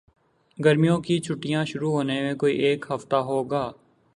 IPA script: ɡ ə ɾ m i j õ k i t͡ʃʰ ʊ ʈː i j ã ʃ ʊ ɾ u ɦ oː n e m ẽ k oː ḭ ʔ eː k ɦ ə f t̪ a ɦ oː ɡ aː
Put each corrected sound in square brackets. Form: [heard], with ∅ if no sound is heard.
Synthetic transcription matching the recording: ɡ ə ɾ m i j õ k i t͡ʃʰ ʊ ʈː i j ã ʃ ʊ ɾ u ɦ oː n e m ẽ k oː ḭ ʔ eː k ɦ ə f t̪ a ɦ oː ɡ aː